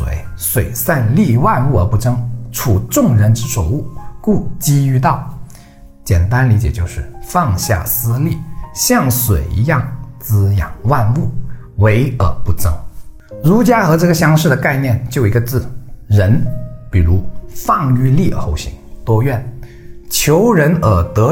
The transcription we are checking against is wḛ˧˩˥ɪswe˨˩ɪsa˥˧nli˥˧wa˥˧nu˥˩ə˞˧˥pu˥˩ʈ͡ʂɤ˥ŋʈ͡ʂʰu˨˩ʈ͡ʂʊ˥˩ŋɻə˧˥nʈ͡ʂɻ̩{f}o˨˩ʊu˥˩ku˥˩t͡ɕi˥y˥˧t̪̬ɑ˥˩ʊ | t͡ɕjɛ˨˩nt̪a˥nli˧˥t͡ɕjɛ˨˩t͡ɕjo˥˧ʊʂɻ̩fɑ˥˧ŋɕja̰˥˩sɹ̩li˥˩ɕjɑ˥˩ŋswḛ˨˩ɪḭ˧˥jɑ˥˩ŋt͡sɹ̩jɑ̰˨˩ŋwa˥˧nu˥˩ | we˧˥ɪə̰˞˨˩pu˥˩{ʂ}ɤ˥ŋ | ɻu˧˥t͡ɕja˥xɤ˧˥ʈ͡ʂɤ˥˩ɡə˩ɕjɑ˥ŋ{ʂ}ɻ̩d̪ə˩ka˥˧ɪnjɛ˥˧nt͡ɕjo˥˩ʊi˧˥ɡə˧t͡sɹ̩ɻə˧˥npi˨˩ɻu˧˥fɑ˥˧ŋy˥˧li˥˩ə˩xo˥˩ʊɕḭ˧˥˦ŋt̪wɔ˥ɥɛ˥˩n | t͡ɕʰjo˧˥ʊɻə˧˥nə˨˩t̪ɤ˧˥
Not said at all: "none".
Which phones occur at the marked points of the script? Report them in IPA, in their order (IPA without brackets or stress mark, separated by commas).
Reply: ʂ, ʈ͡ʂ, ʂ